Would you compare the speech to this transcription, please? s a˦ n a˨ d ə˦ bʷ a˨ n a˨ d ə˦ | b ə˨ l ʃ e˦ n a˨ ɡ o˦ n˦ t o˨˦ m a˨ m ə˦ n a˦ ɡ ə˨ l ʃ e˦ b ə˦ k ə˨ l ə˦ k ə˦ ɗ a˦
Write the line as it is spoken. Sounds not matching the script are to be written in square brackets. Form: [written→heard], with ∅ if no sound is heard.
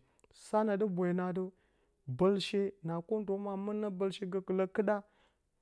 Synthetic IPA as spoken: s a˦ n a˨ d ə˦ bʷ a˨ n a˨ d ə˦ | b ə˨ l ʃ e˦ n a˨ [ɡ→k] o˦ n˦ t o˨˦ m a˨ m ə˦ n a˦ [ɡ→b] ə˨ l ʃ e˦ [b→ɡ] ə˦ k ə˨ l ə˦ k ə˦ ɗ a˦